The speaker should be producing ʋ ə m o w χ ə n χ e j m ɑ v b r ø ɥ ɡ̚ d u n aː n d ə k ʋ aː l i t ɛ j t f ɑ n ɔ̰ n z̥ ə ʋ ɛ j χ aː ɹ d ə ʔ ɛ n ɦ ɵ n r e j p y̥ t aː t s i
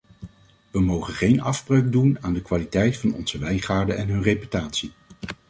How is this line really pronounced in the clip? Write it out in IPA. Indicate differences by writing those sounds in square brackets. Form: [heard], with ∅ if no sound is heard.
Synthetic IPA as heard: ʋ ə m o w χ ə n χ e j [n] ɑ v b r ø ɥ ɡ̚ d u n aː n d ə k ʋ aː l i t ɛ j t f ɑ n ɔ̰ n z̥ ə ʋ ɛ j χ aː ɹ d ə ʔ ɛ n ɦ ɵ n r e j p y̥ t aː t s i

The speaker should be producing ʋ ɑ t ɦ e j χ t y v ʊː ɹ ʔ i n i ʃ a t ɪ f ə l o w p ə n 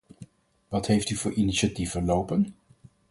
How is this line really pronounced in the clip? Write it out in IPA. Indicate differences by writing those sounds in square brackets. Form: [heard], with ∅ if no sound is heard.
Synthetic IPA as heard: ʋ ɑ t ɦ e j [f] t y v ʊː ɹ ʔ i n i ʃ a t [i] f ə l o w p ə n

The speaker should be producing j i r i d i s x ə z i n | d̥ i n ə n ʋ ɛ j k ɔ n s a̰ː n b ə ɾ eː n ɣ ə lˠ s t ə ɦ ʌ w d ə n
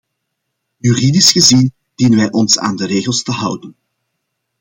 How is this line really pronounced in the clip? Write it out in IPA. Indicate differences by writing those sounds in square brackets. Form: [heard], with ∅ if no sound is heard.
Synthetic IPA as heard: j [y] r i d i s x ə z i n | d̥ i n ə n ʋ ɛ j [ʔ] ɔ n s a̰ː n [d] ə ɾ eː [∅] ɣ ə lˠ s t ə ɦ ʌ w d ə n

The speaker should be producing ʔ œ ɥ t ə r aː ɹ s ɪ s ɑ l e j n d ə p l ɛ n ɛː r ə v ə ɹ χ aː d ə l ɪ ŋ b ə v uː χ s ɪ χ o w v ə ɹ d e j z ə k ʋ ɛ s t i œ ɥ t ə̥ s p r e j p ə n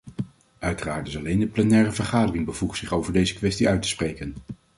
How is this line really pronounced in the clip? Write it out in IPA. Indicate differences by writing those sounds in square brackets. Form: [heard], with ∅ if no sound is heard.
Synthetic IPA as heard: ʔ œ ɥ t ə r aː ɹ [t] ɪ s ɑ l e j n d ə p l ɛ n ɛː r ə v ə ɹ χ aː d ə [r] ɪ ŋ b ə v [u] χ s ɪ χ o w v ə ɹ d e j z ə k ʋ ɛ s t i œ ɥ t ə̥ s p r e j [k] ə n

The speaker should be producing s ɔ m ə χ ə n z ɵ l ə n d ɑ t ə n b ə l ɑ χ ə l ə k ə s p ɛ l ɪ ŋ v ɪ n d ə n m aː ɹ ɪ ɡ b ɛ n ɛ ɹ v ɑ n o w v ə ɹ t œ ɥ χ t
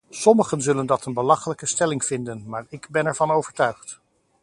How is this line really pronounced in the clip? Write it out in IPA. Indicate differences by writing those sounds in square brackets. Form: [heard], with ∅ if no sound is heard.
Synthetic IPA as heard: s ɔ m ə χ ə n z ɵ l ə n d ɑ t ə n b ə l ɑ χ ə l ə k ə s [t] ɛ l ɪ ŋ v ɪ n d ə n m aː ɹ ɪ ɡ b ɛ n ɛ ɹ v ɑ n o w v ə ɹ t œ ɥ χ t

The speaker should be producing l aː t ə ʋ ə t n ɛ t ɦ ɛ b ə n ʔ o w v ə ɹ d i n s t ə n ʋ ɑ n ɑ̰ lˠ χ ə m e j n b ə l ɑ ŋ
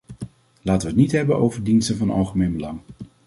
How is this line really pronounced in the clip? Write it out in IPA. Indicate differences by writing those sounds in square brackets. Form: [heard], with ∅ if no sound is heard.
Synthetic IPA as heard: l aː t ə ʋ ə t n [i] t ɦ ɛ b ə n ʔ o w v ə ɹ d i n s t ə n [v] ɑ n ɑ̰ lˠ χ ə m e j n b ə l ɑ ŋ

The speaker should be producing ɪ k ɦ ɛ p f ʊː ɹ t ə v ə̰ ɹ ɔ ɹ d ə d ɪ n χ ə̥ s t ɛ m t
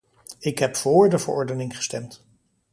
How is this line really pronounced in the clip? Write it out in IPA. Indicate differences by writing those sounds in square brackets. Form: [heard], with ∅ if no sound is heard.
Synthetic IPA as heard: ɪ k ɦ ɛ p f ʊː ɹ [d] ə v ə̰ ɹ ɔ ɹ d ə [n] ɪ [ŋ] χ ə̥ s t ɛ m t

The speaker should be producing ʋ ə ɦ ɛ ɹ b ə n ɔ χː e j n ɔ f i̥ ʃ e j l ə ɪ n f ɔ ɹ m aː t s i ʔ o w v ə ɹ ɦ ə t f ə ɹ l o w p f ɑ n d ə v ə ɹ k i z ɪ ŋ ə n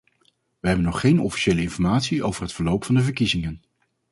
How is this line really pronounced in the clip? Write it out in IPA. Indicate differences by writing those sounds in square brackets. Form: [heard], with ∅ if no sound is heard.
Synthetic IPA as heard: ʋ ə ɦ ɛ [∅] b ə n ɔ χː e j n ɔ f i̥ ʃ e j l ə ɪ n f ɔ ɹ m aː t s i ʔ o w v ə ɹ ɦ ə t f ə ɹ l o w p f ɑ n d ə v ə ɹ k i z ɪ ŋ ə n

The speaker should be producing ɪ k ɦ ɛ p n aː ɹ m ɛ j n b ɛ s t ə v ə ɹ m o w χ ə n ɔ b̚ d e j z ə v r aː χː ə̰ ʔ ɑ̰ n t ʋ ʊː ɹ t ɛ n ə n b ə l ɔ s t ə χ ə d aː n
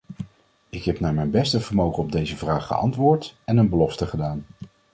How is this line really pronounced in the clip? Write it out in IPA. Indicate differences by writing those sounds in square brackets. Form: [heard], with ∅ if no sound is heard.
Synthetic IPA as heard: ɪ k ɦ ɛ p n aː ɹ m ɛ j n b ɛ s t ə v ə ɹ m o w χ ə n ɔ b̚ d e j z ə v r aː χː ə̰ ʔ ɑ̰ n t ʋ ʊː ɹ t ɛ n ə n b ə l ɔ [f] t ə χ ə d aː n

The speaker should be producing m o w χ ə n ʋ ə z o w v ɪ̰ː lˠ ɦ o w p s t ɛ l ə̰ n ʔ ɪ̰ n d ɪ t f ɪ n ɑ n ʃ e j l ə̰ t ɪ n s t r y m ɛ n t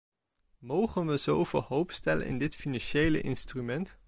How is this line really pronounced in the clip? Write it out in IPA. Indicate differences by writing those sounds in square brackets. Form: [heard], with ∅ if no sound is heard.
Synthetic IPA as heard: m o w χ ə n ʋ ə z o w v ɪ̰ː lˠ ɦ o w p s t ɛ l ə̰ n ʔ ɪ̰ n d ɪ t f [i] n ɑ n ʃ e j l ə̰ [ʔ] ɪ n s t r y m ɛ n t

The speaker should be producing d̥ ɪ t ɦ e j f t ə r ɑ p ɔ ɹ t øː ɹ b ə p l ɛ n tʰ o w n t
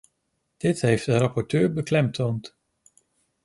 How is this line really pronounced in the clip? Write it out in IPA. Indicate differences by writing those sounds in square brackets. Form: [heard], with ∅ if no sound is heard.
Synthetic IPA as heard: d̥ ɪ t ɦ e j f [d] ə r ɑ p ɔ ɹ t øː ɹ b ə [k] l ɛ [m] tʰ o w n t

